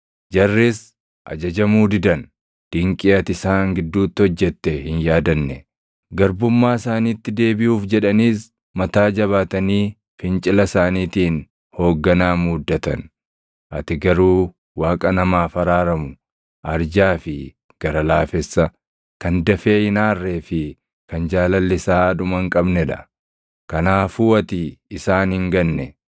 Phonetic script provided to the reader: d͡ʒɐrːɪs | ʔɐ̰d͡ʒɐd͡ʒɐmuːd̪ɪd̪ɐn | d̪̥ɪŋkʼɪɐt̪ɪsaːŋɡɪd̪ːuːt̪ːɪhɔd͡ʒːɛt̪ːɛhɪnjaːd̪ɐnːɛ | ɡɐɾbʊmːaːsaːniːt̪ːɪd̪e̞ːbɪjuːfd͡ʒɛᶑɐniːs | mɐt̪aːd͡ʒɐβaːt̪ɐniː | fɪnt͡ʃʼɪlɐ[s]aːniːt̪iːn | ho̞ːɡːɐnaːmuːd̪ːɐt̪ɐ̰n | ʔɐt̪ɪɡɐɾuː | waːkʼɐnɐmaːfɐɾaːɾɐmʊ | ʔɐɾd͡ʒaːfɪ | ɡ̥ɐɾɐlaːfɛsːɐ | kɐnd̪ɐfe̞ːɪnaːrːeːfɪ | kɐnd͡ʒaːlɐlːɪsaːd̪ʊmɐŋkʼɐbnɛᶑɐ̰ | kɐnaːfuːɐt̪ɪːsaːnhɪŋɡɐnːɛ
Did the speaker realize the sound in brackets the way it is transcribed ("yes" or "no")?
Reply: yes